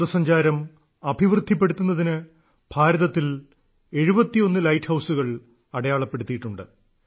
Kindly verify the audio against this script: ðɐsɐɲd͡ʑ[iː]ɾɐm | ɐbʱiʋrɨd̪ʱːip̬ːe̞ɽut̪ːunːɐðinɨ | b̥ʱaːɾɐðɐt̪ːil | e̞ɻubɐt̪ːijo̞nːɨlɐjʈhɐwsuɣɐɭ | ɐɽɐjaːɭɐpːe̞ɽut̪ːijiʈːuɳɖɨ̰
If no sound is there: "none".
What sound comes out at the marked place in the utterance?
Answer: aː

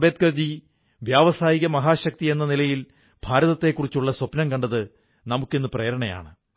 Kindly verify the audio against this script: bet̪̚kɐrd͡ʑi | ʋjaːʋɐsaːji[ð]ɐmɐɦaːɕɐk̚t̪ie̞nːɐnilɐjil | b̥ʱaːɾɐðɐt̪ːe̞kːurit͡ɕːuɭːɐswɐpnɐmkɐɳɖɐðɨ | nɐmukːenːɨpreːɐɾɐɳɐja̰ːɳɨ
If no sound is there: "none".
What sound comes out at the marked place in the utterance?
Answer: ɣ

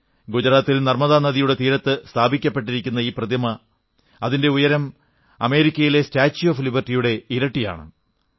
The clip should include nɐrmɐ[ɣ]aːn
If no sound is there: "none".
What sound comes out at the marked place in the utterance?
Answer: ð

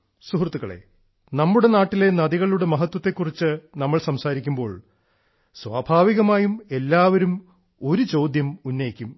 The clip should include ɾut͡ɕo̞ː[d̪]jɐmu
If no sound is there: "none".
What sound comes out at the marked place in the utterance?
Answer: d̪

